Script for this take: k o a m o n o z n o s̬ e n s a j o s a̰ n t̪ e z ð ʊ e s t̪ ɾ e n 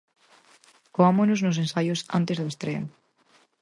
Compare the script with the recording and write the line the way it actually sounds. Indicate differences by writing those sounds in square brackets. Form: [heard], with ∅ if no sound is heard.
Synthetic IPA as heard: k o a m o n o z n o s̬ e n s a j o s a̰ n t̪ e z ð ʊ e s t̪ ɾ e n

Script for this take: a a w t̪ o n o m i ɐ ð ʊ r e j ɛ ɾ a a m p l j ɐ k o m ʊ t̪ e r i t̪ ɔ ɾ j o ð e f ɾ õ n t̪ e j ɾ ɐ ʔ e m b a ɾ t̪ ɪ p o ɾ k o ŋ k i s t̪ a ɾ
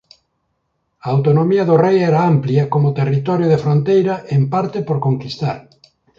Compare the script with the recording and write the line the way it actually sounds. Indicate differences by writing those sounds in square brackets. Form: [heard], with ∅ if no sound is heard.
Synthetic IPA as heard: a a w t̪ o n o m i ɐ ð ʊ r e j ɛ ɾ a a m p l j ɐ k o m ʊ t̪ e r i t̪ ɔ ɾ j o ð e f ɾ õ n t̪ e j ɾ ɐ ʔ e m [p] a ɾ t̪ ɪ p o ɾ k o ŋ k i s t̪ a ɾ

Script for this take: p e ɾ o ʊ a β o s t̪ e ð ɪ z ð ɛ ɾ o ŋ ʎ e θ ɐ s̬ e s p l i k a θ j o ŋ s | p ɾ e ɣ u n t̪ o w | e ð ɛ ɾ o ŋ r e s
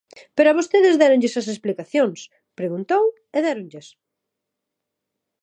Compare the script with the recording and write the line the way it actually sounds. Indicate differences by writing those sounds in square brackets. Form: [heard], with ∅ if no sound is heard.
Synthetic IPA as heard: p e ɾ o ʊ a β o s t̪ e ð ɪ z ð ɛ ɾ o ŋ ʎ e [s] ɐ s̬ e s p l i k a θ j o ŋ s | p ɾ e ɣ u n t̪ o w | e ð ɛ ɾ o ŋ [ʎ] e s

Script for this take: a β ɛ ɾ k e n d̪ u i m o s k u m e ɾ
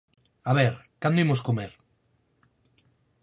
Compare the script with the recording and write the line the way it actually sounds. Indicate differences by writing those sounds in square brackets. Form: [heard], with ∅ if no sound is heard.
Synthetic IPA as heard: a β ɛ ɾ k [a] n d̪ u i m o s k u m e ɾ

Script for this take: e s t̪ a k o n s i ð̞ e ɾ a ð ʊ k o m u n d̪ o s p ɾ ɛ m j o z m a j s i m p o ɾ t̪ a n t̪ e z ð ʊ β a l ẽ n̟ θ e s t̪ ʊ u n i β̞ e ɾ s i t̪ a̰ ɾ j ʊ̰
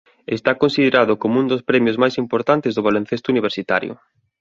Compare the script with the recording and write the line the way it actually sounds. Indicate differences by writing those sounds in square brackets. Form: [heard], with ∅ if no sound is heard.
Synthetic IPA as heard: e s t̪ a k o n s i ð̞ e ɾ a ð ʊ k o m u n d̪ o s p ɾ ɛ m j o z m a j s i m p o ɾ t̪ a n t̪ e z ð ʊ β a l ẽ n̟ θ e s t̪ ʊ u n i β̞ e ɾ s i t̪ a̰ ɾ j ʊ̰

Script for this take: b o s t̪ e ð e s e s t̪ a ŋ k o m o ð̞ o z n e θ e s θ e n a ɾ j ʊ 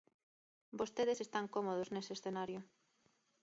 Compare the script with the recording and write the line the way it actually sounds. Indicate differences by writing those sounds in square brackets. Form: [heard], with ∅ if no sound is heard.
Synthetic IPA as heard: b o s t̪ e ð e s e s t̪ a ŋ k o m o ð̞ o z n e [s] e s θ e n a ɾ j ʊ

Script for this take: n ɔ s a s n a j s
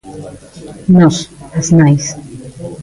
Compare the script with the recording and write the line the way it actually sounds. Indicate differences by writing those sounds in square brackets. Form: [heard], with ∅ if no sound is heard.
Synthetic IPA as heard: n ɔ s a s n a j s

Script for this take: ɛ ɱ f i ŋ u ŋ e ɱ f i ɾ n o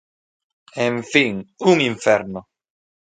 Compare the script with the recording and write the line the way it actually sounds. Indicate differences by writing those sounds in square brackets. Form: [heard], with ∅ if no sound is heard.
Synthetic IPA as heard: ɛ ɱ f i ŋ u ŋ [i] ɱ f [ɛ] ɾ n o

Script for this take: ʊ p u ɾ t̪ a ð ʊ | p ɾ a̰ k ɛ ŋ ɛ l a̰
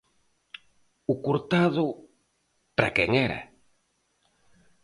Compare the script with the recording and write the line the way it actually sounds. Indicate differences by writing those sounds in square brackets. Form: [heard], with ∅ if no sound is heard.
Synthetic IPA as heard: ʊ [k] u ɾ t̪ a ð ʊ | p ɾ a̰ k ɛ ŋ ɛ [ɾ] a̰

